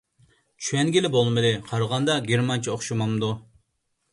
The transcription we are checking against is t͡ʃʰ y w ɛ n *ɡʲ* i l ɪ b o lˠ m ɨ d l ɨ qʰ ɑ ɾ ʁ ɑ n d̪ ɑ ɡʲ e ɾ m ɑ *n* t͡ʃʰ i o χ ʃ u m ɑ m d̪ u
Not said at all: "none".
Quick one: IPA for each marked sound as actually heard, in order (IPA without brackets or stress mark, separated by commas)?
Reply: ɡʲ, n